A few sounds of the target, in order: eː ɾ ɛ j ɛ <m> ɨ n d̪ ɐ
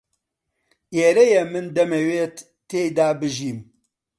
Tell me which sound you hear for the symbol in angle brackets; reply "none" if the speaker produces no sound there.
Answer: m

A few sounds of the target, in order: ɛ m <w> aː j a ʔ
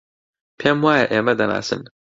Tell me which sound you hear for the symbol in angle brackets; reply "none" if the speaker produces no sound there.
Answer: w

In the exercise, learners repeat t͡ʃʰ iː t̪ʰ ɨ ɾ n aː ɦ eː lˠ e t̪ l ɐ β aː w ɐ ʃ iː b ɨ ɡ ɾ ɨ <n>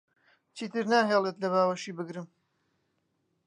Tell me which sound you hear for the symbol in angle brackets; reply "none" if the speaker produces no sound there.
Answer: m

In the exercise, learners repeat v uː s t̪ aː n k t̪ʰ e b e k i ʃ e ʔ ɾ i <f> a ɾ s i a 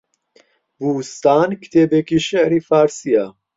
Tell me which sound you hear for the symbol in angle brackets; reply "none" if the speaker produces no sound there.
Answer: f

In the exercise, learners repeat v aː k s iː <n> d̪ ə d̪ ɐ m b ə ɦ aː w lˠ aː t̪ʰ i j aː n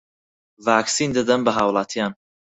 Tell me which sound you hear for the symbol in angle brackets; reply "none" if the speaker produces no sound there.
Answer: n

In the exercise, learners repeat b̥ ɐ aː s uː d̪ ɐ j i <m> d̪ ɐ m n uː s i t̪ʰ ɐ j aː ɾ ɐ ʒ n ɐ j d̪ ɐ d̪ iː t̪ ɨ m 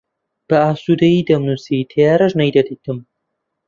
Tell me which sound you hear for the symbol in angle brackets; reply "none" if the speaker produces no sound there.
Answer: none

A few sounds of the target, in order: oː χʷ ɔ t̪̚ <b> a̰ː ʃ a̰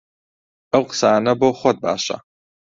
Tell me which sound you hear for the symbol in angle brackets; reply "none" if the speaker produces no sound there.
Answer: b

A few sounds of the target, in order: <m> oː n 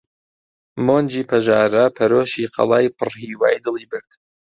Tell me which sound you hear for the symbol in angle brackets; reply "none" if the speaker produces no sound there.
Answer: m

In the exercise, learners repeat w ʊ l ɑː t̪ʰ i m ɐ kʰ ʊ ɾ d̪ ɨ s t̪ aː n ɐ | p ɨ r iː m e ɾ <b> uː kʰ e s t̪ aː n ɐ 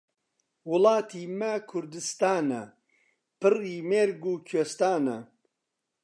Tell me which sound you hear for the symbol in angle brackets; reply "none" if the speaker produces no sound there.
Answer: ɡ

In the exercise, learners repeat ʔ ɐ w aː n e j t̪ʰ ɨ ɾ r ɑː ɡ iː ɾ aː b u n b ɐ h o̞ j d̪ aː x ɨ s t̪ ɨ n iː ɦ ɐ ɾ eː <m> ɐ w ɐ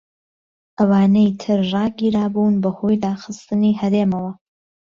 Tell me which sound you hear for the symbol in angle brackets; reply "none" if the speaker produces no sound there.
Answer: m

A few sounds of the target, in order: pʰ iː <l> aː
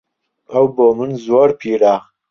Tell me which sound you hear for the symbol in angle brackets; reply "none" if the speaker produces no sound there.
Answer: ɾ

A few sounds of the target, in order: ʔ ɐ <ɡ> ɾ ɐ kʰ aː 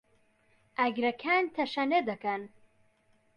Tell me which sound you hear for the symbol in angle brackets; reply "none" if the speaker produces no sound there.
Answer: ɡ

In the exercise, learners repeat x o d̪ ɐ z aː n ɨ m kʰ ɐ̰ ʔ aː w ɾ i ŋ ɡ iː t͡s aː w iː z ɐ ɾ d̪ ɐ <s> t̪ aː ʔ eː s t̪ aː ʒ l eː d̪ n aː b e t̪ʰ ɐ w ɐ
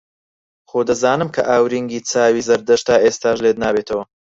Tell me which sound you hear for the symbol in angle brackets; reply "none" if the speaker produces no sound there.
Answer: ʃ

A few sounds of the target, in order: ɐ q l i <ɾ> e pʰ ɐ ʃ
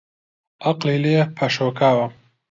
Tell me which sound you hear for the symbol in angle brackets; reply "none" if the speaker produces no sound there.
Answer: l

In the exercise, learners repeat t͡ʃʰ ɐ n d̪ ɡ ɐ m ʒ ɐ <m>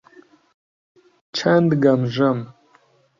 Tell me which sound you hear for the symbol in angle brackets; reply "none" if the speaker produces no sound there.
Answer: m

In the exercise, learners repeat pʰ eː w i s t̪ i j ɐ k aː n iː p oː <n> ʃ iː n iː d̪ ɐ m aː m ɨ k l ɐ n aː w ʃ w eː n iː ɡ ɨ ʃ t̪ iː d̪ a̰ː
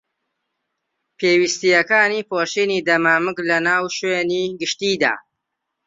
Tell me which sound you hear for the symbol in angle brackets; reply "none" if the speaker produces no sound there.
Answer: none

